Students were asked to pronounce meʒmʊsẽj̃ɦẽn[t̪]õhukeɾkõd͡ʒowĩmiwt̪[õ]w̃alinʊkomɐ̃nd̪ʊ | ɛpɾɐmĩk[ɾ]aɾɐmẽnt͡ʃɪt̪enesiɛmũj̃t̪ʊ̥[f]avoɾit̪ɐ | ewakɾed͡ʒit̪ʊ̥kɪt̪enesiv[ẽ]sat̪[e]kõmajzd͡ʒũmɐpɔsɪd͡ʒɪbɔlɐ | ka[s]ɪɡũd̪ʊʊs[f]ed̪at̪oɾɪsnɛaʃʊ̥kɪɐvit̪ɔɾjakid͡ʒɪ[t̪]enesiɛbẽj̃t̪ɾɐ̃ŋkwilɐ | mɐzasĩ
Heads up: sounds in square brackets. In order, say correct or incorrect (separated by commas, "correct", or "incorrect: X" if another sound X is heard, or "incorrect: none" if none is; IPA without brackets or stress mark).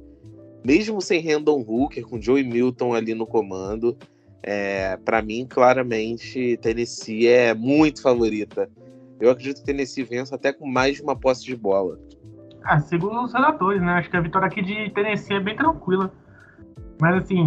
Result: incorrect: d̪, correct, incorrect: l, correct, correct, incorrect: ɛ, correct, incorrect: h, correct